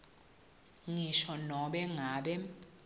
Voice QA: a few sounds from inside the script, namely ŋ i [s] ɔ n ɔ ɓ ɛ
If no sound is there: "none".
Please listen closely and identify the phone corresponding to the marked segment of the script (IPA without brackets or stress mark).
ʃ